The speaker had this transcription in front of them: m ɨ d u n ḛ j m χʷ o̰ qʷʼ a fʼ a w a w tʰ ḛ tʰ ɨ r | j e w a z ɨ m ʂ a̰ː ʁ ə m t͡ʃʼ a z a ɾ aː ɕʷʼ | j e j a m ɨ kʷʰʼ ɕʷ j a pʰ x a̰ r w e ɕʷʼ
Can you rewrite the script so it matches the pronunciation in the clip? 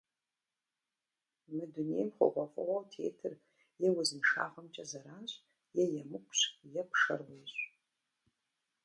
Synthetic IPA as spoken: m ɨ d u n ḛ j m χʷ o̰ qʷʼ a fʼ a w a w tʰ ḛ tʰ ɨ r | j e w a z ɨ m ʂ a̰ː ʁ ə m t͡ʃʼ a z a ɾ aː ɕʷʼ | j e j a m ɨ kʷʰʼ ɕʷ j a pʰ ʂ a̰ r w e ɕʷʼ

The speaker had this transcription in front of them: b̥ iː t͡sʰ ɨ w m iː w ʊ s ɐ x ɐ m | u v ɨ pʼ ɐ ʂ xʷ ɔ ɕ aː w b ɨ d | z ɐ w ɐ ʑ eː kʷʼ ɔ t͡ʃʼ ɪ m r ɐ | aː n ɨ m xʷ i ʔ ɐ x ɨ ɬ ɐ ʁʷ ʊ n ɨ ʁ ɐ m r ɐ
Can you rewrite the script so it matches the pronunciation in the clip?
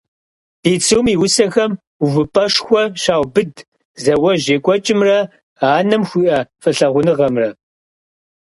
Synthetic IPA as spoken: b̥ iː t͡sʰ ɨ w m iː w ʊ s ɐ x ɐ m | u v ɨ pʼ ɐ ʂ xʷ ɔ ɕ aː w b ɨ d | z ɐ w ɐ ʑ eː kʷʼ ɔ t͡ʃʼ ɪ m r ɐ | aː n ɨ m xʷ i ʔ ɐ f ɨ ɬ ɐ ʁʷ ʊ n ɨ ʁ ɐ m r ɐ

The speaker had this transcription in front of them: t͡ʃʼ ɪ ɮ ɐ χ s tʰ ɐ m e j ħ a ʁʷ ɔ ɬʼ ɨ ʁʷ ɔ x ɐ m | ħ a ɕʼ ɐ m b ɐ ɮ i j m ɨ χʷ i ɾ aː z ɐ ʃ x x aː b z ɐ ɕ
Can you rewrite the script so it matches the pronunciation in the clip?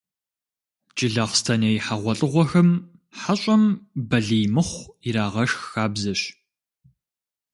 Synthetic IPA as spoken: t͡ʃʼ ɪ ɮ ɐ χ s tʰ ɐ n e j ħ a ʁʷ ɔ ɬʼ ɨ ʁʷ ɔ x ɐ m | ħ a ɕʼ ɐ m b ɐ ɮ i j m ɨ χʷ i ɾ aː ʁ ɐ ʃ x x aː b z ɐ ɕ

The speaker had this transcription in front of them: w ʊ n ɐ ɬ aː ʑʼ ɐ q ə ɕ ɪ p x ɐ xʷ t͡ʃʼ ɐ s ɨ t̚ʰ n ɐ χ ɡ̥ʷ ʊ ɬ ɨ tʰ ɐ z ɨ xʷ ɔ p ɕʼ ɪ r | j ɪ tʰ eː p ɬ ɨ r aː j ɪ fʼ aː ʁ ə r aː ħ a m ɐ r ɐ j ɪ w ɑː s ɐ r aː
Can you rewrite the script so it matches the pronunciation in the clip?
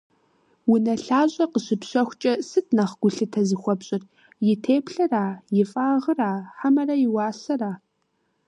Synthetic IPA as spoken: w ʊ n ɐ ɬ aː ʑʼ ɐ q ə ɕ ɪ p ɕ ɐ xʷ t͡ʃʼ ɐ s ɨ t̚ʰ n ɐ χ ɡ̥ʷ ʊ ɬ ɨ tʰ ɐ z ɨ xʷ ɔ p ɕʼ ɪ r | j ɪ tʰ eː p ɬ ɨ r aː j ɪ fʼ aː ʁ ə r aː ħ a m ɐ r ɐ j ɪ w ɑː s ɐ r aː

